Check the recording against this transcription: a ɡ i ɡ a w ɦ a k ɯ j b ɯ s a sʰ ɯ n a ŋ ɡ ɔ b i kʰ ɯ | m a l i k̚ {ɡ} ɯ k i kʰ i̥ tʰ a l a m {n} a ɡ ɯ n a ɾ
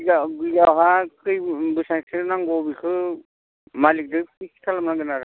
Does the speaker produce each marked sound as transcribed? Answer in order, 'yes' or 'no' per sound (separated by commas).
no, yes